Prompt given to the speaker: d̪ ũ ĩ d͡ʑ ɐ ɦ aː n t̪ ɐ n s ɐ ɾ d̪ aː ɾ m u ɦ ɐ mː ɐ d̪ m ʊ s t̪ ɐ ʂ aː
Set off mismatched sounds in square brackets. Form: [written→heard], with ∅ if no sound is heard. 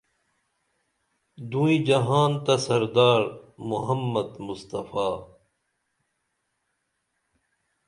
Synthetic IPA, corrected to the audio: d̪ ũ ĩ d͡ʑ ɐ ɦ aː n t̪ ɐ [n→∅] s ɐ ɾ d̪ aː ɾ m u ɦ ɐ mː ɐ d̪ m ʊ s t̪ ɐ [ʂ→f] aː